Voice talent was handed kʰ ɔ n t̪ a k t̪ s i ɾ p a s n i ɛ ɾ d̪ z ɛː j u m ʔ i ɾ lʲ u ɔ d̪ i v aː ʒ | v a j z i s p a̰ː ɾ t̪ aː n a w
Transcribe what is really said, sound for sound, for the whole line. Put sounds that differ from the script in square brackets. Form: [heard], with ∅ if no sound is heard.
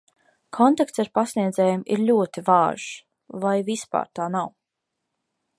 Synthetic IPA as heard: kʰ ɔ n t̪ a k t̪ s [a] ɾ p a s n i ɛ [∅] d̪ z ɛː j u m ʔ i ɾ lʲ u ɔ [t̪] i v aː ʒ | v a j [v] i s p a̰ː ɾ t̪ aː n a w